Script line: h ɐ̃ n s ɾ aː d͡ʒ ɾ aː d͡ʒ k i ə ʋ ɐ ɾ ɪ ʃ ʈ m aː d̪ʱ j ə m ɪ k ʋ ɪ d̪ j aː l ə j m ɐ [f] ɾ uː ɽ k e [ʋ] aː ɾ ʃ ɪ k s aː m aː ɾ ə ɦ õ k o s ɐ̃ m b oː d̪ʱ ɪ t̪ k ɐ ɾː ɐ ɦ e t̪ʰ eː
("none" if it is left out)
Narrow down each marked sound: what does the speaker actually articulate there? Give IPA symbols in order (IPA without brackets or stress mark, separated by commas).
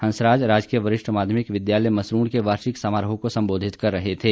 s, ʋ